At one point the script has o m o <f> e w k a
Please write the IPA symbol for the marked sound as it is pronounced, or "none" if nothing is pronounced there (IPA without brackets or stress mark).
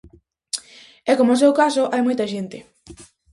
s